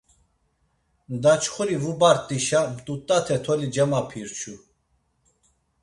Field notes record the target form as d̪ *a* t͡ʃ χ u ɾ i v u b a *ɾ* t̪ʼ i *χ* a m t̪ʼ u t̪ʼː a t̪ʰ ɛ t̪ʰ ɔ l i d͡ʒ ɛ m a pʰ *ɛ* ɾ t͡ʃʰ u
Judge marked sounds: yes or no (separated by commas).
yes, yes, no, no